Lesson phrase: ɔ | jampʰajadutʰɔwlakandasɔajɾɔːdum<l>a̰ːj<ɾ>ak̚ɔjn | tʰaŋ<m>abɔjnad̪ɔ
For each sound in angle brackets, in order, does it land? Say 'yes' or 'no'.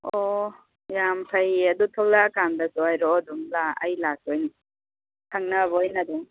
yes, no, no

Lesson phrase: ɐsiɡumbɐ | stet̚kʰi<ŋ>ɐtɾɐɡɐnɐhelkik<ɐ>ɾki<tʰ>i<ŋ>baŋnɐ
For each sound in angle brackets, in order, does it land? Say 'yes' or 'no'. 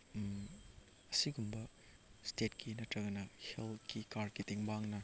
no, no, no, yes

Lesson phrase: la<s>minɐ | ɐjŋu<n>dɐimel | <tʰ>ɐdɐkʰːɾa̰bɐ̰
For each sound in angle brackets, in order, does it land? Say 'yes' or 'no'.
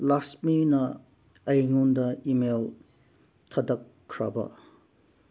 yes, yes, yes

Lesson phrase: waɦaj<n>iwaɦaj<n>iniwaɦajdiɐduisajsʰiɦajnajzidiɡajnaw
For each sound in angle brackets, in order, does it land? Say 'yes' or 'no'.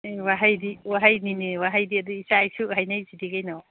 no, yes

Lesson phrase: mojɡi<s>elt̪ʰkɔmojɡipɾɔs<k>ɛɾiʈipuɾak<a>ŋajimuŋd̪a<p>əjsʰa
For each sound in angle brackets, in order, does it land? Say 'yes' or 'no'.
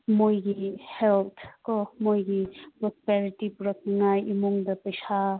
no, no, no, yes

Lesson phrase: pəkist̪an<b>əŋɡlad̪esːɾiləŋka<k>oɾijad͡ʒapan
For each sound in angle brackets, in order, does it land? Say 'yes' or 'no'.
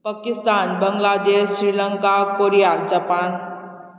yes, yes

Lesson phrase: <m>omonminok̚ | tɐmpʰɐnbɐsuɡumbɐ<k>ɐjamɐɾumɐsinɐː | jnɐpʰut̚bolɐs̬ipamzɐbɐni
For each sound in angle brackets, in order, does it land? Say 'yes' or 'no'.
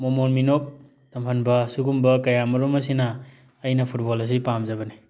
yes, yes

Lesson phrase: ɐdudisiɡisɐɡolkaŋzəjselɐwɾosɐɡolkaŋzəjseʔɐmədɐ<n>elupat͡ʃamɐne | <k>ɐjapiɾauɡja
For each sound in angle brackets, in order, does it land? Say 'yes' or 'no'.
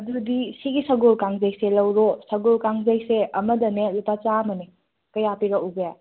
yes, yes

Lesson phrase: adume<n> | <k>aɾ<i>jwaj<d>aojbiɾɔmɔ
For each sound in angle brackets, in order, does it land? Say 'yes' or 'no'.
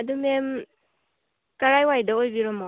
no, yes, no, yes

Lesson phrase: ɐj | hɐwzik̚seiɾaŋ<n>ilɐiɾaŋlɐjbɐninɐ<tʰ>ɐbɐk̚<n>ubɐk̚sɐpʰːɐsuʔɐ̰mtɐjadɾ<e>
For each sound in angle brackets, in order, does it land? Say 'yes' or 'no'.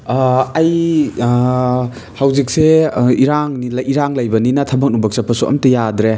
yes, yes, yes, yes

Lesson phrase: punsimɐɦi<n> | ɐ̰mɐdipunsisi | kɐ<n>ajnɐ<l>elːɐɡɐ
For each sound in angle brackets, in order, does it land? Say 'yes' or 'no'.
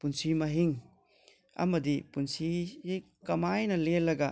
no, no, yes

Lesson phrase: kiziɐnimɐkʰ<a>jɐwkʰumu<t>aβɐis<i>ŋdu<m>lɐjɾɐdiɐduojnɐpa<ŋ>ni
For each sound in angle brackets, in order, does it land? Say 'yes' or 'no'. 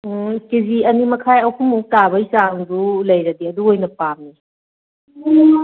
yes, yes, no, no, no

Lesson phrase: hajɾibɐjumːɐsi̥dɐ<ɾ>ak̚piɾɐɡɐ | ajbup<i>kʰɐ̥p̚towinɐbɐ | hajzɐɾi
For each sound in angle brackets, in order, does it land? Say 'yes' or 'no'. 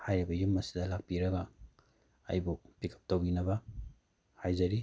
no, yes

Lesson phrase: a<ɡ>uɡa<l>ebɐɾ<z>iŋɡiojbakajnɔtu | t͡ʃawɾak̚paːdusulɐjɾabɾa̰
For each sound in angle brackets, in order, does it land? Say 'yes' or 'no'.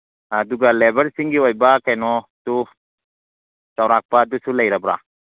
no, yes, no

